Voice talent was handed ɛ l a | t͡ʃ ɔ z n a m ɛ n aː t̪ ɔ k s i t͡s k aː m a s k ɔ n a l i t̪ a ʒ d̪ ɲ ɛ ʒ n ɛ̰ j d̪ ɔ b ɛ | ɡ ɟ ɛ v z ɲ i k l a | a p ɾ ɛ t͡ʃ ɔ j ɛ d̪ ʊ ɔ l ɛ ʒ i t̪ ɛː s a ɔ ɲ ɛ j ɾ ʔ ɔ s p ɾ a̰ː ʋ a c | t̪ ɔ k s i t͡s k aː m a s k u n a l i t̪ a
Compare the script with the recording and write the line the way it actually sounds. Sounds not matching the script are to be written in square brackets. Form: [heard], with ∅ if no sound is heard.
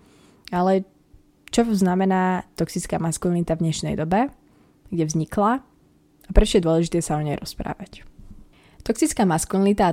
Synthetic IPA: [a] l [ɛ] | t͡ʃ ɔ z n a m ɛ n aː t̪ ɔ k s i t͡s k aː m a s k [u] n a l i t̪ a [v] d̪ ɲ ɛ [ʃ] n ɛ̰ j d̪ ɔ b ɛ | ɡ ɟ ɛ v z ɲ i k l a | a p ɾ ɛ t͡ʃ ɔ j ɛ d̪ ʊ ɔ l ɛ ʒ i t̪ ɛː s a ɔ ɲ ɛ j ɾ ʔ ɔ s p ɾ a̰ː ʋ a c | t̪ ɔ k s i t͡s k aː m a s k u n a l i t̪ a